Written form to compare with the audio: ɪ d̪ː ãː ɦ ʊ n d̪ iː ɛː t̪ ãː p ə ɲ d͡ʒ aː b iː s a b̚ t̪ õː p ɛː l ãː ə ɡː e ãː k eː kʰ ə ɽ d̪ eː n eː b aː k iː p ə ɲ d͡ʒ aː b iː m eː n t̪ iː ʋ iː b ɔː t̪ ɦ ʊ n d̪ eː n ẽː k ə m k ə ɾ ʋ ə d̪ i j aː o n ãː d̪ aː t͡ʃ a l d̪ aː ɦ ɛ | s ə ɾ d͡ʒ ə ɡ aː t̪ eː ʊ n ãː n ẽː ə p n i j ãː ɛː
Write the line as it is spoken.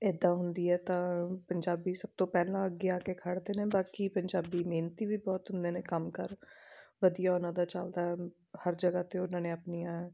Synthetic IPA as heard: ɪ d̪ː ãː ɦ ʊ n d̪ iː ɛː t̪ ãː p ə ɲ d͡ʒ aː b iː s ə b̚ t̪ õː p ɛː l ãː ə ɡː e aː k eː kʰ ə ɽ d̪ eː n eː b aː k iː p ə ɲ d͡ʒ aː b iː m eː n t̪ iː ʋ iː b ɔː t̪ ɦ ʊ n d̪ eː n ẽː k ə m k ə ɾ ʋ ə d̪ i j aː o n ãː d̪ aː t͡ʃ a l d̪ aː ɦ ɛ | h ə ɾ d͡ʒ ə ɡ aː t̪ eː ʊ n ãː n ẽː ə p n i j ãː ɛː

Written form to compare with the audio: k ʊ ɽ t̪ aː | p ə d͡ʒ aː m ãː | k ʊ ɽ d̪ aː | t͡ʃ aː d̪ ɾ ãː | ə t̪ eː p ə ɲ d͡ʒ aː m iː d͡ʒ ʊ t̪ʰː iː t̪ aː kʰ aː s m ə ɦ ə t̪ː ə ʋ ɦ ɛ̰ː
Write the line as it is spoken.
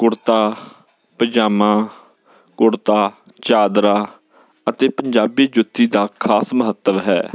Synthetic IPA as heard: k ʊ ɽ t̪ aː | p ə d͡ʒ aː m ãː | k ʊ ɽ t̪ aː | t͡ʃ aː d̪ ɾ aː | ə t̪ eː p ə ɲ d͡ʒ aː b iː d͡ʒ ʊ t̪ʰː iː d̪ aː kʰ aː s m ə ɦ ə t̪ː ə ʋ ɦ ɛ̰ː

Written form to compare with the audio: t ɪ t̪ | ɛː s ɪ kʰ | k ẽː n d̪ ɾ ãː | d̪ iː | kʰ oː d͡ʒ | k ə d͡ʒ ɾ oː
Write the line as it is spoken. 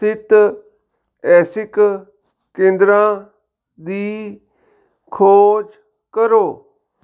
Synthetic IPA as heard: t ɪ t̪ | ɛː s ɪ k | k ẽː n d̪ ɾ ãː | d̪ iː | kʰ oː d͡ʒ | k ə ɾ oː

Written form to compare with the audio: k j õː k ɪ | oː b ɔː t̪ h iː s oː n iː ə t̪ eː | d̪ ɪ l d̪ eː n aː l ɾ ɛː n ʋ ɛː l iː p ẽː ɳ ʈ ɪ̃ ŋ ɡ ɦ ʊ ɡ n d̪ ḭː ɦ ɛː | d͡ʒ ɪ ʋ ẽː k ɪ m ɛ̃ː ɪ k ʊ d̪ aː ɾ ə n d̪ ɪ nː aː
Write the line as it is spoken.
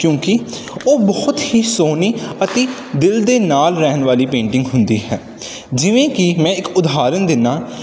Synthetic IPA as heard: k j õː k ɪ | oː b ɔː t̪ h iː s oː n iː ə t̪ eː | d̪ ɪ l d̪ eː n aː l ɾ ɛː n ʋ aː l iː p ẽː ɳ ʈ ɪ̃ ŋ ɡ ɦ ʊ n d̪ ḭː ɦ ɛː | d͡ʒ ɪ ʋ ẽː k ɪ m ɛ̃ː ɪ k ʊ d̪ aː ɾ ə n d̪ ɪ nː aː

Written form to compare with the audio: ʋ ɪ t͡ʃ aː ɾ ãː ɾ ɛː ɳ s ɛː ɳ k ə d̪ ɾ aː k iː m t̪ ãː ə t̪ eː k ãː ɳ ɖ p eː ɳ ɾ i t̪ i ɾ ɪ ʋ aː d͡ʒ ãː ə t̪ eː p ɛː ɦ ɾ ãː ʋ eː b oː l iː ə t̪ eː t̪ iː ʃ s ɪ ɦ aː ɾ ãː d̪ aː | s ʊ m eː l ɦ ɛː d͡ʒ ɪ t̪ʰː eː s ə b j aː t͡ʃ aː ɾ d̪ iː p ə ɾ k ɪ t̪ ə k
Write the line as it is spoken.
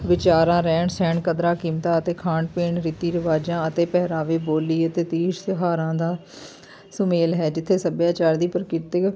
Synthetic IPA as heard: ʋ ɪ t͡ʃ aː ɾ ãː ɾ ɛː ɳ s ɛː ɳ k ə d̪ ɾ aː k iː m t̪ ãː ə t̪ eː kʰ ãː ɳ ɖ p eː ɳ ɾ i t̪ iː ɾ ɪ ʋ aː d͡ʒ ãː ə t̪ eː p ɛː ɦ ɾ aː ʋ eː b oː l iː ə t̪ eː t̪ iː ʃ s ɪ ɦ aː ɾ ãː d̪ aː | s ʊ m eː l ɦ ɛː d͡ʒ ɪ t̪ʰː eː s ə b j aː t͡ʃ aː ɾ d̪ iː p ə ɾ k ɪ t̪ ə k

